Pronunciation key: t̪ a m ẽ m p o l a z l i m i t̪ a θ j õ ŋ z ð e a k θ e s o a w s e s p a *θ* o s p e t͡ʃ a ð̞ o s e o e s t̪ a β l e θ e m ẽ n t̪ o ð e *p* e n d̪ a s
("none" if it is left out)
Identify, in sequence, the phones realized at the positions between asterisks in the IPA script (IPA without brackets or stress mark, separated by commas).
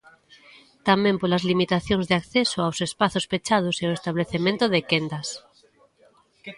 θ, k